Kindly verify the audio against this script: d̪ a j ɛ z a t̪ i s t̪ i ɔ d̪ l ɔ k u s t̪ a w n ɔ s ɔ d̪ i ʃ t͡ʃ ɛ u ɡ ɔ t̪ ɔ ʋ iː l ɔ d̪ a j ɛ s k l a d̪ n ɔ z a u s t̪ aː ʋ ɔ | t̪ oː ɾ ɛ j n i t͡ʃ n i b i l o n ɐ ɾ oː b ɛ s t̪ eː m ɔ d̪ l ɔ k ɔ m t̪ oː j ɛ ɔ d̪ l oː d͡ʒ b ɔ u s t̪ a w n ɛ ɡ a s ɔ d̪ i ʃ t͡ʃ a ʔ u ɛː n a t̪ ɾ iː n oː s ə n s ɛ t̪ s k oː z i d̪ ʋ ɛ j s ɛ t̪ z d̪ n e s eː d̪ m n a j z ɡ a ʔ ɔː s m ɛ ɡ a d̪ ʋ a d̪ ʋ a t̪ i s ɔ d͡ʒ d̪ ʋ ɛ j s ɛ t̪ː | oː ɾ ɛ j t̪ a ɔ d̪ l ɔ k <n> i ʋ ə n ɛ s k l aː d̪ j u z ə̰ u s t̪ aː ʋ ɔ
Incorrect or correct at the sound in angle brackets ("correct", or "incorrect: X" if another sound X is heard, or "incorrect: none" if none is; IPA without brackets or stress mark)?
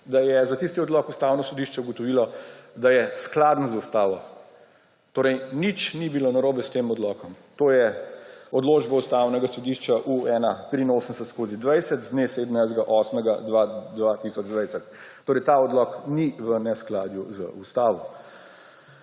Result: correct